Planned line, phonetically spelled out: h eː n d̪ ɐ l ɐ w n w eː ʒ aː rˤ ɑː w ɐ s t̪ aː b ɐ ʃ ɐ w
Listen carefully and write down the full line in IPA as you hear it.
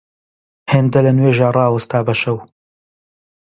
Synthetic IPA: h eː n d̪ ɐ l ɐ n w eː ʒ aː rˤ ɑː w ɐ s t̪ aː b ɐ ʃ ɐ w

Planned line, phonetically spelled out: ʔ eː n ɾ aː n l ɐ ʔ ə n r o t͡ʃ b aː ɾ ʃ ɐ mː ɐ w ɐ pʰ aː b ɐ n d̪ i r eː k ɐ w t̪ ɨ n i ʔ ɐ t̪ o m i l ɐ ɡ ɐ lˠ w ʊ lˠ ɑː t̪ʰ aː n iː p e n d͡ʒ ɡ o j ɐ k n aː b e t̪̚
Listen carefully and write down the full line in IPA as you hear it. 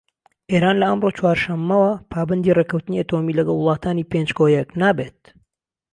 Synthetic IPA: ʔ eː ɾ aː n l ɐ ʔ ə m r o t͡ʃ w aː ɾ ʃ ɐ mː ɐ w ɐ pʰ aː b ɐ n d̪ i r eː k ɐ w t̪ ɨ n i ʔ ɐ t̪ o m i l ɐ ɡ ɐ lˠ w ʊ lˠ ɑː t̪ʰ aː n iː p e n d͡ʒ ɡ o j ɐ k n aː b e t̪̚

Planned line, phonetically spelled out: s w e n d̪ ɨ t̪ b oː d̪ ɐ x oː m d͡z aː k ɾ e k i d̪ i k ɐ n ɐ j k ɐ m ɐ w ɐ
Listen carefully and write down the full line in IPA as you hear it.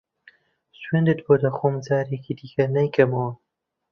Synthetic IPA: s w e n d̪ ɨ t̪ b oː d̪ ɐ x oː m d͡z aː ɾ e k i d̪ i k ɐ n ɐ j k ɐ m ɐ w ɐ

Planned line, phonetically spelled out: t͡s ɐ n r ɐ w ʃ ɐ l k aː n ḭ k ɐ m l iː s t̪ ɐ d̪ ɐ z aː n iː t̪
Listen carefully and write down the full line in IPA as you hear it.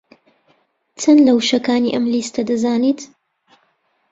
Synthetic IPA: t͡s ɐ n l ɐ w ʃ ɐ k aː n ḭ ʔ ɐ m l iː s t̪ ɐ d̪ ɐ z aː n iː t̪

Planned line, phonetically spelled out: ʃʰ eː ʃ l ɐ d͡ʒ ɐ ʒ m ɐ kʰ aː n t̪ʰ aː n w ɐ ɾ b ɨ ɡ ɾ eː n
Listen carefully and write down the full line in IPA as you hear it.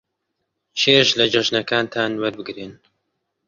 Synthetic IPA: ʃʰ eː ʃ l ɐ d͡ʒ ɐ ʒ n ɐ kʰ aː n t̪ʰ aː n w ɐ ɾ b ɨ ɡ ɾ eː n

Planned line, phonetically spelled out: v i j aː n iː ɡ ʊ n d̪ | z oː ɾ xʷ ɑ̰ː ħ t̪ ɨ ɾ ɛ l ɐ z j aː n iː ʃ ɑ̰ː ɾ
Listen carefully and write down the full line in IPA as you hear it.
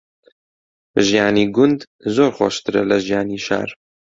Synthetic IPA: ʒ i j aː n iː ɡ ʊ n d̪ | z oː ɾ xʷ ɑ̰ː ʃ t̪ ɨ ɾ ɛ l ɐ ʒ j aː n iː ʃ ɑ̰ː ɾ

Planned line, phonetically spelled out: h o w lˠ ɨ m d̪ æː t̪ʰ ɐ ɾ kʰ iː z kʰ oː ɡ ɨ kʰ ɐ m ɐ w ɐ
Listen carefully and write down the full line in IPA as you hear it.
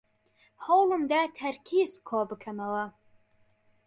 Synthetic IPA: h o w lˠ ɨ m d̪ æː t̪ʰ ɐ ɾ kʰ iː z kʰ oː b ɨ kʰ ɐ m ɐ w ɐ

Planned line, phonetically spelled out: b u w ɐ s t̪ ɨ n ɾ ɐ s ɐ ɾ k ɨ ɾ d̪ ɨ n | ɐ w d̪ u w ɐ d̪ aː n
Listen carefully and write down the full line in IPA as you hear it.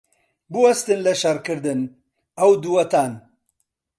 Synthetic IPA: b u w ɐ s t̪ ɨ n l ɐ ʃ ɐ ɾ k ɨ ɾ d̪ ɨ n | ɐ w d̪ u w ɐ t̪ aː n

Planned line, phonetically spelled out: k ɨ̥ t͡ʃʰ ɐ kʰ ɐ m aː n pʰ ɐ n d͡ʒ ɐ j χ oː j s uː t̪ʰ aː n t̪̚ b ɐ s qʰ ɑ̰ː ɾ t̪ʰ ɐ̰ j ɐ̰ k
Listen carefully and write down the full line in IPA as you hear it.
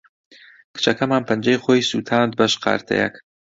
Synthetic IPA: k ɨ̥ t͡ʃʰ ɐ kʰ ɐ m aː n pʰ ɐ n d͡ʒ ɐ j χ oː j s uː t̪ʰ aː n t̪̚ b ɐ ʃ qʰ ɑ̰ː ɾ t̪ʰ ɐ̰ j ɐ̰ k

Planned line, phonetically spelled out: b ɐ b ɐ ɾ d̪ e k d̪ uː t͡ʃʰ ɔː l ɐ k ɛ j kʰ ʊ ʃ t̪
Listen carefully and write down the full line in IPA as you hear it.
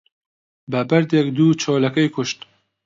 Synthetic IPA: b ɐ b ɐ ɾ d̪ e k d̪ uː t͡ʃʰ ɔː l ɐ k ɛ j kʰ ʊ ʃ t̪

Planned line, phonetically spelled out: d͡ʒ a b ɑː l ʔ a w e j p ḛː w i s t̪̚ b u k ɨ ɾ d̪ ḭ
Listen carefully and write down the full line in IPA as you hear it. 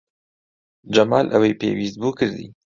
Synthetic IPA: d͡ʒ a m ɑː l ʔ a w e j p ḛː w i s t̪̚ b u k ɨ ɾ d̪ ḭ

